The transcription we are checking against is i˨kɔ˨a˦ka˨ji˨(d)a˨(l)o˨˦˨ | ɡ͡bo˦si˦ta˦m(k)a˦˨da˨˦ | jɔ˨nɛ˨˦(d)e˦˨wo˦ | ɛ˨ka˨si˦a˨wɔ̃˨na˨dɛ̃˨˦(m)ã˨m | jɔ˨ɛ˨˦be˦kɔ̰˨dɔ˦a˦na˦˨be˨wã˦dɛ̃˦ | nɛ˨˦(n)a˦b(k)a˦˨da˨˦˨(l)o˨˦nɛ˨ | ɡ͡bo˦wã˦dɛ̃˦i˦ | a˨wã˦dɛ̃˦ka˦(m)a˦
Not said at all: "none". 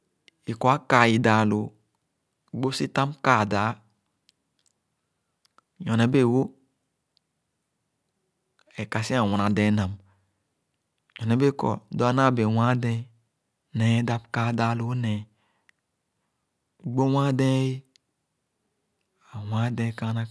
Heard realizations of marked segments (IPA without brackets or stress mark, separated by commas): d, l, k, b, n, d, k, l, n